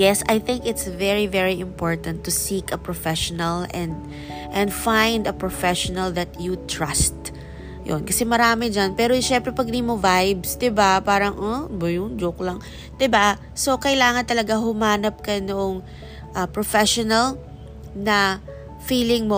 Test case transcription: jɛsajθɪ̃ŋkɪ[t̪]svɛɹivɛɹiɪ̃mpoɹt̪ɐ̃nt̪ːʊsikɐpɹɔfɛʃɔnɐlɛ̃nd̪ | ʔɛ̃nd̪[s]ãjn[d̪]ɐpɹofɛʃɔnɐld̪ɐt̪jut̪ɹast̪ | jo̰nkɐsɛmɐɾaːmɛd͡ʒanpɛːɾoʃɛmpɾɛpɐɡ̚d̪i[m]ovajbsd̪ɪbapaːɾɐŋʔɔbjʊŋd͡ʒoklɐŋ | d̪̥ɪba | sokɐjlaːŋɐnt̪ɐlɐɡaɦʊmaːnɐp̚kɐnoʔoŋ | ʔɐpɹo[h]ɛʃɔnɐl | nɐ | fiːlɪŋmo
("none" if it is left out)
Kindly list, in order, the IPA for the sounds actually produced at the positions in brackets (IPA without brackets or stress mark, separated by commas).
t̪, f, d̪, m, f